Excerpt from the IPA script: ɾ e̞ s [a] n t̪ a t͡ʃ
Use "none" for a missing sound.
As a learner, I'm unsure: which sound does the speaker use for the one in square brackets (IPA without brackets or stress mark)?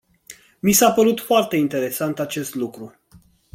a